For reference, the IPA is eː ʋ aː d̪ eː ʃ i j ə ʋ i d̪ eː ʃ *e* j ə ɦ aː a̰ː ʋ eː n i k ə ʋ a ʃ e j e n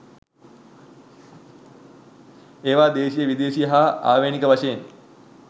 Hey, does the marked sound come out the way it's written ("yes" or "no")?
no